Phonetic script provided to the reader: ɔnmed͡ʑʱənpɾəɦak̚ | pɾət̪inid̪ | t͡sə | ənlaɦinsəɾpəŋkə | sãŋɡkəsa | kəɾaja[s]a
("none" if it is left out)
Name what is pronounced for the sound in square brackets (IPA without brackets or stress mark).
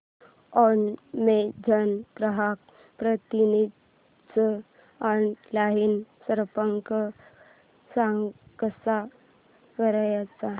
t͡s